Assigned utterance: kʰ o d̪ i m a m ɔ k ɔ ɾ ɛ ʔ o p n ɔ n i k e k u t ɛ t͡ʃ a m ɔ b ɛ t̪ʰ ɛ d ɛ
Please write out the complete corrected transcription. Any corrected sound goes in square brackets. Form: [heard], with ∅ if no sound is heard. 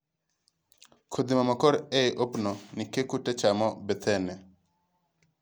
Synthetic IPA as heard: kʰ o d̪ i m a m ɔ k ɔ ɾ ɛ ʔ o p n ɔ n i k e k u t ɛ t͡ʃ a m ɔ b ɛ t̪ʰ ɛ [n] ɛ